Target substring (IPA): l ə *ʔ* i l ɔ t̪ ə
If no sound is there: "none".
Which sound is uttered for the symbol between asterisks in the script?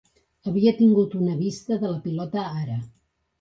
p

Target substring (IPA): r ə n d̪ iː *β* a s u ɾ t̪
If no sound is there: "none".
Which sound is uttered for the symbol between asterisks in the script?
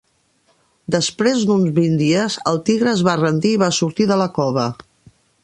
β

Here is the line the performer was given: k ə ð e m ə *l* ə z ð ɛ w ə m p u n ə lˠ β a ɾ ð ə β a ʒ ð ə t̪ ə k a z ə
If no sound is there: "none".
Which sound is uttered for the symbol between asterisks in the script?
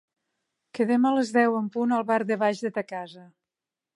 l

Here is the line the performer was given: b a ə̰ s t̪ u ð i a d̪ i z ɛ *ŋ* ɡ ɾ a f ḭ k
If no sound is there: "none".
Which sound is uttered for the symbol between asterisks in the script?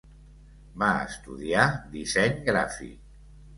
ɲ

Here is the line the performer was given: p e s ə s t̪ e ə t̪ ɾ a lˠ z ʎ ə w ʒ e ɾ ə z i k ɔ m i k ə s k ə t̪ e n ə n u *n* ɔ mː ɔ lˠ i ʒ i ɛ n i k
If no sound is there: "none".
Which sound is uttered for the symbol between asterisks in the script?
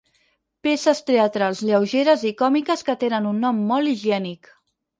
nː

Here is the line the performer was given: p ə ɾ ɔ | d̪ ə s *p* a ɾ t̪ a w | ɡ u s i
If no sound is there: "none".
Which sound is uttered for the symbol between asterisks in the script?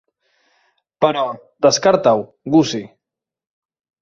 k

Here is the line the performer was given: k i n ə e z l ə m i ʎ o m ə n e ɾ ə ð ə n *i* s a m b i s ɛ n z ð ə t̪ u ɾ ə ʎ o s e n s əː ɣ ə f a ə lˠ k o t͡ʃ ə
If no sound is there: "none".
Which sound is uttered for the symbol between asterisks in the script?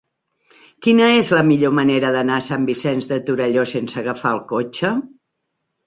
a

